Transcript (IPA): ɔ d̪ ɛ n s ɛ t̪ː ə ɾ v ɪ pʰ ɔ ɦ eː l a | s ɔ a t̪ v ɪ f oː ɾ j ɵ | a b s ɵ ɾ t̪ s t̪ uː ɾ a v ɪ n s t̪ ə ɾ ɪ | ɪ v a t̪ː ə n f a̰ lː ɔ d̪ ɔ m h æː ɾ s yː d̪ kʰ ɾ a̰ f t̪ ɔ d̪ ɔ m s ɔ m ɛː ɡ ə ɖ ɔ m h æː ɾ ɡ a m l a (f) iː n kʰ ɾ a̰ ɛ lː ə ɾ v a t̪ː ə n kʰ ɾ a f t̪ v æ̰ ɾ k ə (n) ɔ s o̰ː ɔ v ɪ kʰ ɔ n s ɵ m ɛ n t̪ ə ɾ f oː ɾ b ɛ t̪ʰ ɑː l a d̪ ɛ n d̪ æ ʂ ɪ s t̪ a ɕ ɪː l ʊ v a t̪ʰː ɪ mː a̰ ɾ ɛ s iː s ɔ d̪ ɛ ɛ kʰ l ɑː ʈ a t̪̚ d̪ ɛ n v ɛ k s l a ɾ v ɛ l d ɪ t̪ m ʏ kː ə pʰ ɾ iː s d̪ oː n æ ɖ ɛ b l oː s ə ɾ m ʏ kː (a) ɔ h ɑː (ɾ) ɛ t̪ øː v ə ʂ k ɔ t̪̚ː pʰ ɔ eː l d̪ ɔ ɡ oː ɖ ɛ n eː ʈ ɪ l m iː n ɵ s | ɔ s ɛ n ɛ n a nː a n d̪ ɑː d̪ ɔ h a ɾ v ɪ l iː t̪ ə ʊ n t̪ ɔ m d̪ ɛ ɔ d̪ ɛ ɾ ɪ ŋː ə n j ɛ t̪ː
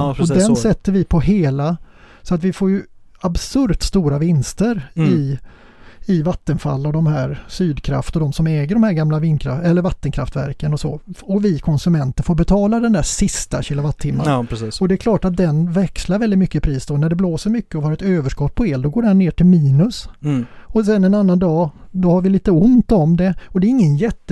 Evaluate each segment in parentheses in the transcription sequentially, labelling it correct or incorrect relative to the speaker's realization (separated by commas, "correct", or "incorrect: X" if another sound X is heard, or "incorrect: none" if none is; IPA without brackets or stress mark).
incorrect: v, correct, incorrect: ə, correct